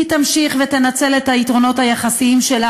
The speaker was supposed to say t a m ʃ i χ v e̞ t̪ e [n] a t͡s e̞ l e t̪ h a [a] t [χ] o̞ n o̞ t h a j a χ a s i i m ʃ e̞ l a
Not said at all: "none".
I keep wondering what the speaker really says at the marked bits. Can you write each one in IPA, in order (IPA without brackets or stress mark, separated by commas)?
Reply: n, i, ʁ